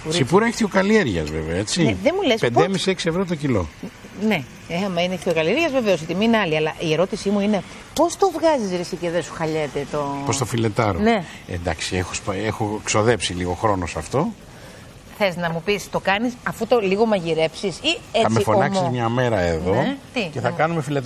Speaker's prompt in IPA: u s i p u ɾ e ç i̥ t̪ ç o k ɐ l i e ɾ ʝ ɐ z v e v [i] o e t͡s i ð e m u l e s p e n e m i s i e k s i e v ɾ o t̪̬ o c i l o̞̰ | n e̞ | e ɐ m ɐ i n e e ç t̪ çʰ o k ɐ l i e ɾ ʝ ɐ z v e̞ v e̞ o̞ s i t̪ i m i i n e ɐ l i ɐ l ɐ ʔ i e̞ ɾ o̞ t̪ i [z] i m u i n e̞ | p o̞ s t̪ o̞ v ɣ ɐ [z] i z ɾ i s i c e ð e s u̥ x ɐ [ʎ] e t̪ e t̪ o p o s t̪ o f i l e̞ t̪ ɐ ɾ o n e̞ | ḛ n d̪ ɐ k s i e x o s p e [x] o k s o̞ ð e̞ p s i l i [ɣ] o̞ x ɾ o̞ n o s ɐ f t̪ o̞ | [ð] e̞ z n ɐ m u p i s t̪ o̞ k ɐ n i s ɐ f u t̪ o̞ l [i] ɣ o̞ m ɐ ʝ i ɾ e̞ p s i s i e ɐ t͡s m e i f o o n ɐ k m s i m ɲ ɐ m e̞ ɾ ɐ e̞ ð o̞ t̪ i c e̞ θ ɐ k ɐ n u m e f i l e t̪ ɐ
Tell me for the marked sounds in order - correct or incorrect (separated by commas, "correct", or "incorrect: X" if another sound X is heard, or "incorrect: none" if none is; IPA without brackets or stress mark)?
incorrect: e, incorrect: s, correct, correct, correct, correct, incorrect: θ, correct